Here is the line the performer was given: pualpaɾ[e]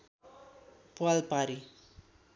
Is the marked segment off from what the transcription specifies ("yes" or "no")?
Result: yes